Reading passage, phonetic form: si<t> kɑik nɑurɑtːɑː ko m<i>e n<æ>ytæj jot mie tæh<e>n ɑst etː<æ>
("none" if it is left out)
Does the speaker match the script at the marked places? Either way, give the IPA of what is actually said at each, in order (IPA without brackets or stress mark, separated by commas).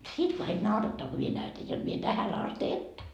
t, i, æ, æ, æ